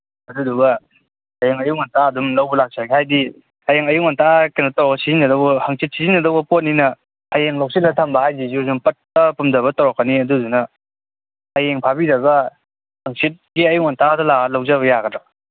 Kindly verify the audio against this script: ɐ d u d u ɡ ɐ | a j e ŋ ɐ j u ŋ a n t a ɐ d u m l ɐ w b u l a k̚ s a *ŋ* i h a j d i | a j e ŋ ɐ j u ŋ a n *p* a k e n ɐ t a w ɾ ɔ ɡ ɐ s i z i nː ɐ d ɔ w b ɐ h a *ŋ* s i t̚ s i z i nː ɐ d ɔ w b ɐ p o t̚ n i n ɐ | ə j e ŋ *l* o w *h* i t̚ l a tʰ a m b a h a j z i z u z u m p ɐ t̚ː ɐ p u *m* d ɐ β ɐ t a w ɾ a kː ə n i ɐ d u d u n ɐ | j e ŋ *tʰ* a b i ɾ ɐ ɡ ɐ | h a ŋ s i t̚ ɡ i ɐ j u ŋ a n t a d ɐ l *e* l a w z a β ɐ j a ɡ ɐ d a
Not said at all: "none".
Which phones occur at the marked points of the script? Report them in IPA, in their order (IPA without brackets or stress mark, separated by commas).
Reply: ɡ, t, ŋ, l, s, m, pʰ, a